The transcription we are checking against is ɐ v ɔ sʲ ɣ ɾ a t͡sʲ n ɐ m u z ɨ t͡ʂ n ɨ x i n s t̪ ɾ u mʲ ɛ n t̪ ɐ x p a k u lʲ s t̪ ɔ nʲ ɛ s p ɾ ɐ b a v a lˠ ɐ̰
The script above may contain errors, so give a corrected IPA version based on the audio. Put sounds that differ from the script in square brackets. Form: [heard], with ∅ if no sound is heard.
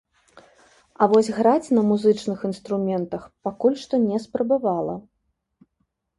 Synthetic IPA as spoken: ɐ v ɔ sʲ ɣ ɾ a t͡sʲ n ɐ m u z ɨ t͡ʂ n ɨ x i n s t̪ ɾ u mʲ ɛ n t̪ ɐ x p a k u lʲ [ʂ] t̪ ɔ nʲ ɛ s p ɾ ɐ b a v a lˠ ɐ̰